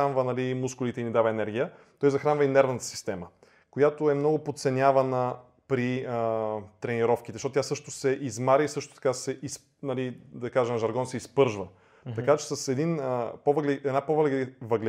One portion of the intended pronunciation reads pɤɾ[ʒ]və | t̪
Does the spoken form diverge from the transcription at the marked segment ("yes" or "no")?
no